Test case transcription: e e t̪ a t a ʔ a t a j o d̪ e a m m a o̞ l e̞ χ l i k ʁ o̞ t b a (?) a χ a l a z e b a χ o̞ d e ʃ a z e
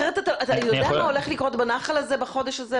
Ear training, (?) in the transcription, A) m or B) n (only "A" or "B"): B